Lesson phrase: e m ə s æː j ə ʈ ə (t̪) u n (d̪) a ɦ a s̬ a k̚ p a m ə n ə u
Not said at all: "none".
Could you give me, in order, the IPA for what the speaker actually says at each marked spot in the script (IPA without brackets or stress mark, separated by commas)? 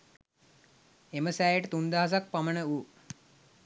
t̪, d̪